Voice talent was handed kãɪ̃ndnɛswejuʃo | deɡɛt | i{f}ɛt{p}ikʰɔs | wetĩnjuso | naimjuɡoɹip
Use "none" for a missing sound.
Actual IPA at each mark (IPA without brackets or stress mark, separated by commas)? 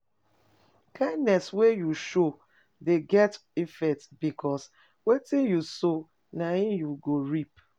f, b